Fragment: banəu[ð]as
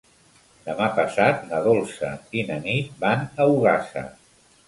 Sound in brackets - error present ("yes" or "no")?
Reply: yes